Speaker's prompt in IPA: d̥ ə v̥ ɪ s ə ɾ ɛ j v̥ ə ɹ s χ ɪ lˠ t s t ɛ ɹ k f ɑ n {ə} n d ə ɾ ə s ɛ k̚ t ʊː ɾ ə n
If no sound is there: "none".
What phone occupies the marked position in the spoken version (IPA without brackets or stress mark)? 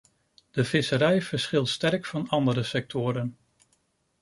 ɑ